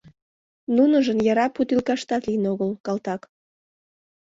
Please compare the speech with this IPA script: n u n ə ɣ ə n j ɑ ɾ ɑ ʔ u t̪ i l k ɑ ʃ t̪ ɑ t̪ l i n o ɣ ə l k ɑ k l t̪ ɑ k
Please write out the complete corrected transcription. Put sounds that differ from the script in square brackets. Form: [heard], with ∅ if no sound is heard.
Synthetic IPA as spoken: n u n ə [ʒ] ə n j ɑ ɾ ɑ [p] u t̪ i l k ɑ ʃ t̪ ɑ t̪ l i n o ɣ ə l k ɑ [∅] l t̪ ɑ k